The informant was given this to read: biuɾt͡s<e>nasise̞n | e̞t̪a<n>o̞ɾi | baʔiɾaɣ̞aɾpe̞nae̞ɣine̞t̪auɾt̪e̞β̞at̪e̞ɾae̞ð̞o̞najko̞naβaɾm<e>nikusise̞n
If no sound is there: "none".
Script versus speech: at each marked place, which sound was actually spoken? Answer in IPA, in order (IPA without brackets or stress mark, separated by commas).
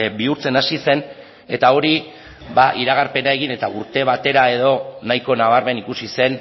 e, none, e